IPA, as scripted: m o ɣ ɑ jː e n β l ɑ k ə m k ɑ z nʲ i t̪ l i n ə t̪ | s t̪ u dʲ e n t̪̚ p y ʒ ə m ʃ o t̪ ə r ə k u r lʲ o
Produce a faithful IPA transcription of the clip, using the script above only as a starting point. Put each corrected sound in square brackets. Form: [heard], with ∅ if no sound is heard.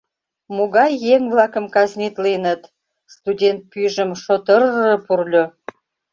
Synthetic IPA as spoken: m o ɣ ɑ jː e [ŋ] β l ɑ k ə m k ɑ z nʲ i t̪ l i n ə t̪ | s t̪ u dʲ e n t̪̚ p y ʒ ə m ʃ o t̪ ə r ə [p] u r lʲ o